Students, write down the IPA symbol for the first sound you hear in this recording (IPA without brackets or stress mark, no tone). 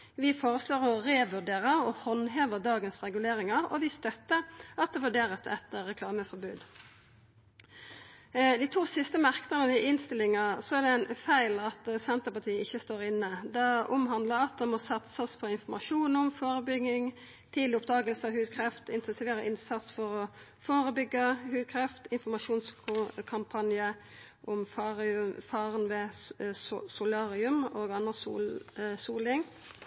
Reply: ʋ